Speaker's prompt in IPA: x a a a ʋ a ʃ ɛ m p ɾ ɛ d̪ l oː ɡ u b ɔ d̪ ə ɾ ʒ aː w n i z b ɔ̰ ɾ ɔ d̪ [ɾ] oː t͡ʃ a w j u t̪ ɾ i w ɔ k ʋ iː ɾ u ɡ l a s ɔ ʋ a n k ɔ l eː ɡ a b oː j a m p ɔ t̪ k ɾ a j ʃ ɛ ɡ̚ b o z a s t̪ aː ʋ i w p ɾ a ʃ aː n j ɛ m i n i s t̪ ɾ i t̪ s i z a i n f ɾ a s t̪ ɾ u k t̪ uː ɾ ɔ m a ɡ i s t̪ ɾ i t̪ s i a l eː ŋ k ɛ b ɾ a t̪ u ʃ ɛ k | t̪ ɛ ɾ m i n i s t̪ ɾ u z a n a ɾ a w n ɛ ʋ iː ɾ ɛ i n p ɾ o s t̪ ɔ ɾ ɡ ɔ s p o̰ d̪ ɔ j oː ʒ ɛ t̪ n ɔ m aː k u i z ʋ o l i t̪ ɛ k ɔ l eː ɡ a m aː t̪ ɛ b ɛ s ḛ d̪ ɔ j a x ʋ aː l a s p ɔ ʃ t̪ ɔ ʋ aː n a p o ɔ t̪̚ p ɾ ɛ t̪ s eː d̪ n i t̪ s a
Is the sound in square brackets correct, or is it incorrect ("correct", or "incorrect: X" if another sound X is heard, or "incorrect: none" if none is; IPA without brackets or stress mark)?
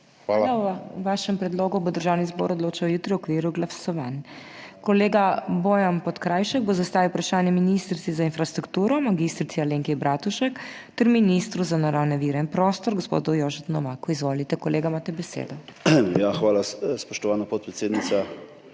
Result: incorrect: l